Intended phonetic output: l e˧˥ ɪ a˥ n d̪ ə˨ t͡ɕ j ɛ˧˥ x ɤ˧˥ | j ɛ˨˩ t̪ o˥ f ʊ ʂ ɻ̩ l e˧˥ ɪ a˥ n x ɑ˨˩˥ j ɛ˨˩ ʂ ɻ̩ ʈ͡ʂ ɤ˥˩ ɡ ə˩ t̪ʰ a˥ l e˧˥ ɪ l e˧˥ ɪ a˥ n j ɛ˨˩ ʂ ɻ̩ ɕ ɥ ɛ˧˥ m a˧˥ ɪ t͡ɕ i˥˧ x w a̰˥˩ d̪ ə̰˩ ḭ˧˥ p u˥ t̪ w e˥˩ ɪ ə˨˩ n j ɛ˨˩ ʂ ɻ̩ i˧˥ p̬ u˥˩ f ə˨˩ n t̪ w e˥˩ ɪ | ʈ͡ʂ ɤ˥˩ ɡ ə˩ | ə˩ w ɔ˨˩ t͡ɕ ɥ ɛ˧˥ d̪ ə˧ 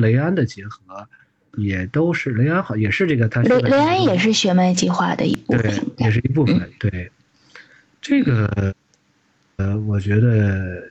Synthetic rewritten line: l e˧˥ ɪ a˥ n d̪ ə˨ t͡ɕ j ɛ˧˥ x ɤ˧˥ | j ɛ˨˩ t̪ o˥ ʊ ʂ ɻ̩ l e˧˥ ɪ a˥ n x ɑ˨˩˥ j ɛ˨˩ ʂ ɻ̩ ʈ͡ʂ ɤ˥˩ ɡ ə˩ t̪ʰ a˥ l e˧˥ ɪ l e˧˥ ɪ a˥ n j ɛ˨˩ ʂ ɻ̩ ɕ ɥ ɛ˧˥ m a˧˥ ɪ t͡ɕ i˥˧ x w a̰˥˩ d̪ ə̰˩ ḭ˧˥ p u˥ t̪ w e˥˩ ɪ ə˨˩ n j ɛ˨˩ ʂ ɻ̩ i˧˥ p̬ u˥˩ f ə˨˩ n t̪ w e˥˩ ɪ | ʈ͡ʂ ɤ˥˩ ɡ ə˩ | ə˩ w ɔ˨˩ t͡ɕ ɥ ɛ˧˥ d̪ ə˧